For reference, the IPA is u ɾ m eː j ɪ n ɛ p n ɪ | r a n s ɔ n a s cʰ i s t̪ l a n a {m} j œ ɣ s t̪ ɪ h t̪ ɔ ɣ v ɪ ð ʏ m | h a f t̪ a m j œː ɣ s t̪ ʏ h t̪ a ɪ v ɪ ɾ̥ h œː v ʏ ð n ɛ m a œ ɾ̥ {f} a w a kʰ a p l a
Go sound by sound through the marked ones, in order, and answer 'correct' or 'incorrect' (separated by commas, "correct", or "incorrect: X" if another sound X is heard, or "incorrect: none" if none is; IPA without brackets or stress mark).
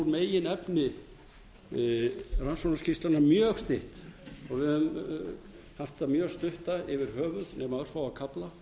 correct, correct